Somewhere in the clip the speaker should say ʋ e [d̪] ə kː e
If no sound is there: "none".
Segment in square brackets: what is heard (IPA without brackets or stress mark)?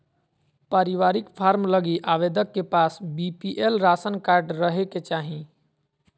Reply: d̪